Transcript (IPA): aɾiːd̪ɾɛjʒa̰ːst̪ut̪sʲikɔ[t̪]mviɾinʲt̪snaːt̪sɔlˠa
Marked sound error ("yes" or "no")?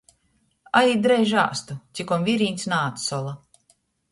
yes